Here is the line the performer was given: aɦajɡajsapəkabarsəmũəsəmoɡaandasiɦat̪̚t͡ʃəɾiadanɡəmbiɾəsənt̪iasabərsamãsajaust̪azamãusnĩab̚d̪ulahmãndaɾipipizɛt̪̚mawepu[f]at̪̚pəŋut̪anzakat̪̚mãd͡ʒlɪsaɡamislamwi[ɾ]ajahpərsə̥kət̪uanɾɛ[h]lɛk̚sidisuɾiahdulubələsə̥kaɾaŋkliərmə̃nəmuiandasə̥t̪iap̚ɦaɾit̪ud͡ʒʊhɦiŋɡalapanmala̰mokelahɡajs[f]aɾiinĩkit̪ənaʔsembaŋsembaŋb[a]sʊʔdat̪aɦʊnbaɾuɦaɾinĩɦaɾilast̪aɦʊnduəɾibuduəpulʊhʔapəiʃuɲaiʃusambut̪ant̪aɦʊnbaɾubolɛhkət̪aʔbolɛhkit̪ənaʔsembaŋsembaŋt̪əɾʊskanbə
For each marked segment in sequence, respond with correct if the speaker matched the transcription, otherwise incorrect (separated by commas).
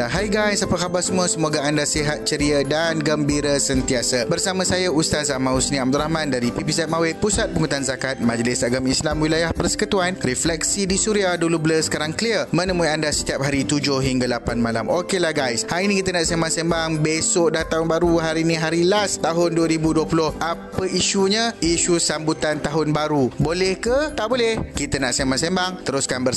incorrect, incorrect, incorrect, incorrect, incorrect